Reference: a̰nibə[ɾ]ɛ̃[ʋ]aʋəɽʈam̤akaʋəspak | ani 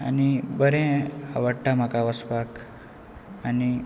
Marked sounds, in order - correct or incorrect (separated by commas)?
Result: correct, incorrect